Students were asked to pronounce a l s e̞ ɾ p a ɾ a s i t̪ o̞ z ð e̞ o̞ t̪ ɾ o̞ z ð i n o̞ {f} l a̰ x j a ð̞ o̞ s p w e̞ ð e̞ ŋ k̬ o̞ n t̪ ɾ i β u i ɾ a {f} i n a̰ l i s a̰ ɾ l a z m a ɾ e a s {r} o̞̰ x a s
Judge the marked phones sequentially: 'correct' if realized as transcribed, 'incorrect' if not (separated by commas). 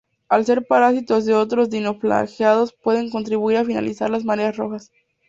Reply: correct, correct, correct